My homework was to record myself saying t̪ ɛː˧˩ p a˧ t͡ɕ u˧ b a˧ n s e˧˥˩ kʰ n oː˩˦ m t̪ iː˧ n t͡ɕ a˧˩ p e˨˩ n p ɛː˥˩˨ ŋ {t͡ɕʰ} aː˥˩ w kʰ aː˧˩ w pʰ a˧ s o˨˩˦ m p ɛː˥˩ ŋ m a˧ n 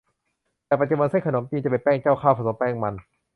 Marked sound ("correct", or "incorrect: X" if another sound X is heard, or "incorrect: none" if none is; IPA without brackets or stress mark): incorrect: t͡ɕ